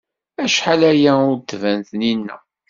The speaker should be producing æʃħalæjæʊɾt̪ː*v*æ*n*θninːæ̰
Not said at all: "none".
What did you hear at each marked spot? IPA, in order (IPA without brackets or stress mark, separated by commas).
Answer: v, n